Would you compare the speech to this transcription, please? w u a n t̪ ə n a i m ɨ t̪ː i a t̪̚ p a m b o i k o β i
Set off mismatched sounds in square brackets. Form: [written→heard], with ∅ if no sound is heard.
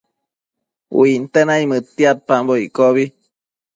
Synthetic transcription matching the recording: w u [a→i] n t̪ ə n a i m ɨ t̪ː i a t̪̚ p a m b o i k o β i